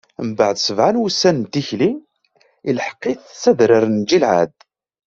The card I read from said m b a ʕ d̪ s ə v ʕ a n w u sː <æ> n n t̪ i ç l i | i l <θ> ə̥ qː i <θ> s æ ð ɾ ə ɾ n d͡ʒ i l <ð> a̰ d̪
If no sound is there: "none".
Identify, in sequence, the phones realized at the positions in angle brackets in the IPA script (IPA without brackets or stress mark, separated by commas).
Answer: æ, ħ, θ, ʕ